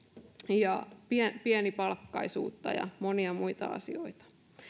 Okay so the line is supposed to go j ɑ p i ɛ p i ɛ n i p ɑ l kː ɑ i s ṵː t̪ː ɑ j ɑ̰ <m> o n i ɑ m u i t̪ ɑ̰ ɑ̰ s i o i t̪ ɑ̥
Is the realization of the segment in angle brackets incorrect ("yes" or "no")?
no